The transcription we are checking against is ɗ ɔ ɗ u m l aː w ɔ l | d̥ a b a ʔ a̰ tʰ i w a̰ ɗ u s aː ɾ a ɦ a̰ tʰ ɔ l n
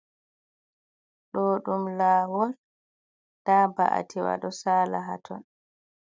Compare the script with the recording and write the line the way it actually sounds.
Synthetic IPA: ɗ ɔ ɗ u m l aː w ɔ l | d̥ a b a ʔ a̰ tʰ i w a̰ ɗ ɔ s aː l a ɦ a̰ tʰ ɔ n